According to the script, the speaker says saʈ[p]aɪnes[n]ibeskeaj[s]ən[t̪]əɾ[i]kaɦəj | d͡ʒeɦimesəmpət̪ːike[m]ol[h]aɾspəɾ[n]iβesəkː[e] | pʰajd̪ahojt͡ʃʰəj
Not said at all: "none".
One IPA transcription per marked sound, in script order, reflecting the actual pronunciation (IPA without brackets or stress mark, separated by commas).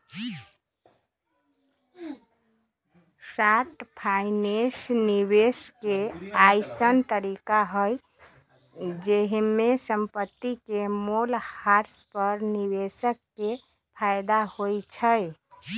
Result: pʰ, n, s, t̪, i, m, h, n, e